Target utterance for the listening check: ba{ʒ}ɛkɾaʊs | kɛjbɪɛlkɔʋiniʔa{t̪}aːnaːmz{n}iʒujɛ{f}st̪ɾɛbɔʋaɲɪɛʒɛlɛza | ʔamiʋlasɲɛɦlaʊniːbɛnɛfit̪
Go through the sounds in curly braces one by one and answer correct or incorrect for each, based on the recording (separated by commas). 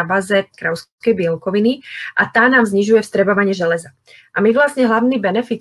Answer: incorrect, correct, incorrect, correct